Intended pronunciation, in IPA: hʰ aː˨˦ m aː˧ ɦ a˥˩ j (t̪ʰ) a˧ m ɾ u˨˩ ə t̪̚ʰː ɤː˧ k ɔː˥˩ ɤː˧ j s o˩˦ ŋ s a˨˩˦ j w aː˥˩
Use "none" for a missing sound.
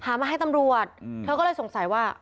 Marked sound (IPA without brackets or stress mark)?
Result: t̪